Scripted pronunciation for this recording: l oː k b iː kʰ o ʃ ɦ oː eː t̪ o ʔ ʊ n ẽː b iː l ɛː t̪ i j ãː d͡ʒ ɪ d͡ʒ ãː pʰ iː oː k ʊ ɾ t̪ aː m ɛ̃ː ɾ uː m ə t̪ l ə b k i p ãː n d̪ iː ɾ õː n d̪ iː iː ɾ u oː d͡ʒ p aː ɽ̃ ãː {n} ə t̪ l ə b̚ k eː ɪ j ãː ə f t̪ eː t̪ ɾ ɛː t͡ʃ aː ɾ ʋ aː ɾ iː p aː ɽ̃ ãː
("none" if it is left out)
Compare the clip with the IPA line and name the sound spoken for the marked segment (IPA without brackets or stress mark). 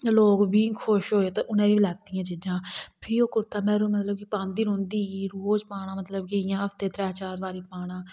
m